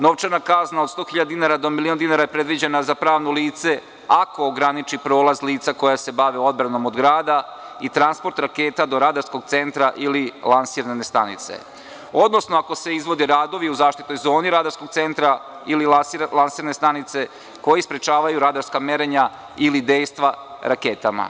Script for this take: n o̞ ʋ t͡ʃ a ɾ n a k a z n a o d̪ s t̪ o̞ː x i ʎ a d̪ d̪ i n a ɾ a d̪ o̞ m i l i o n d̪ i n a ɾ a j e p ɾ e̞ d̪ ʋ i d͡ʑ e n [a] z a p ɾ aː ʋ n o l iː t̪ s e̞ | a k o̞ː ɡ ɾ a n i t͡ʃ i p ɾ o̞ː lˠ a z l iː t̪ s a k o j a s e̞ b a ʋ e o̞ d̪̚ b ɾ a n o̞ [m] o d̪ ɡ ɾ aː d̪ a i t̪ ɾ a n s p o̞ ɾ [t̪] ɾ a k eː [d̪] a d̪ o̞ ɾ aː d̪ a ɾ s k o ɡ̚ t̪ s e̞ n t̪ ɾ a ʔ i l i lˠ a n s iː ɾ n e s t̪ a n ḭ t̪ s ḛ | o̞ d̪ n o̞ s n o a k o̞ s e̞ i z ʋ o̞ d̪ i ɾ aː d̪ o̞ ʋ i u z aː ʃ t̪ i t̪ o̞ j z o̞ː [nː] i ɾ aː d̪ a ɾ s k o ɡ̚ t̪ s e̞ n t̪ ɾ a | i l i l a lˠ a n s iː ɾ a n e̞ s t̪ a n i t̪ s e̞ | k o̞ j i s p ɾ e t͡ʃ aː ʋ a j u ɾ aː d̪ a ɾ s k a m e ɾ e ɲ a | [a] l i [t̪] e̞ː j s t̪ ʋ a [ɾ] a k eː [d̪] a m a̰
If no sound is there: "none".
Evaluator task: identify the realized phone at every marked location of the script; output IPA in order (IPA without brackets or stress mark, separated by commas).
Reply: a, m, t̪, t̪, n, i, d̪, ɾ, t̪